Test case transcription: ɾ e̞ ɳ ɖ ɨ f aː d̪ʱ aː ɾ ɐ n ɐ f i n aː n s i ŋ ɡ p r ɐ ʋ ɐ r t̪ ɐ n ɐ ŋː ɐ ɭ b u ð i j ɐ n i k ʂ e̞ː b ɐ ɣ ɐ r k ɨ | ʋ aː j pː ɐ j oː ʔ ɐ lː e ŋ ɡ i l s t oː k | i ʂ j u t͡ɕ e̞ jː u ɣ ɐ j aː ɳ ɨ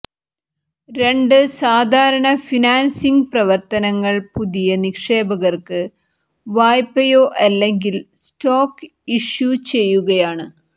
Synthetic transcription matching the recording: ɾ e̞ ɳ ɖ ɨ s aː d̪ʱ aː ɾ ɐ ɳ ɐ f i n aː n s i ŋ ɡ p r ɐ ʋ ɐ r t̪ ɐ n ɐ ŋː ɐ ɭ p u ð i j ɐ n i k ʂ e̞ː b ɐ ɣ ɐ r k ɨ | ʋ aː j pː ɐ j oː ʔ ɐ lː e ŋ ɡ i l s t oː k | i ʂ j u t͡ɕ e̞ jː u ɣ ɐ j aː ɳ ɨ